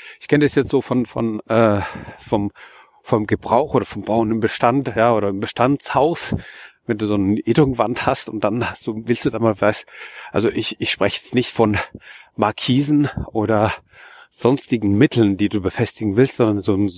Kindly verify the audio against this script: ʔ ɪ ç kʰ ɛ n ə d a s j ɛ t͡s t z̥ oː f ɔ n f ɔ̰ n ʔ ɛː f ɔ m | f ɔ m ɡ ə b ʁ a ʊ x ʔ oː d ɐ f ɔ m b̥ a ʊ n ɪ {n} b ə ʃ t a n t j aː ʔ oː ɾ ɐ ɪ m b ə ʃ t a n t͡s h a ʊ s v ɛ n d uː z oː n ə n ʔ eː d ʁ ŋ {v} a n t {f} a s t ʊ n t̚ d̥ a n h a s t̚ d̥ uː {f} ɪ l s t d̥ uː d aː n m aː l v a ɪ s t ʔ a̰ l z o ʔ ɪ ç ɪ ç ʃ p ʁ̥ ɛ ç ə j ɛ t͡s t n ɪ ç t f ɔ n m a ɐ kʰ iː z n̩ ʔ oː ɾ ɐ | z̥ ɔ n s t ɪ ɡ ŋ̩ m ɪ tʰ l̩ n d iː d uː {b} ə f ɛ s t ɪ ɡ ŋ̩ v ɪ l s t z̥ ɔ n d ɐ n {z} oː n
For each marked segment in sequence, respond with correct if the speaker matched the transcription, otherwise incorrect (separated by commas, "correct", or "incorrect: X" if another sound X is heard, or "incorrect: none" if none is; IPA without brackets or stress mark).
incorrect: m, correct, incorrect: h, incorrect: v, correct, correct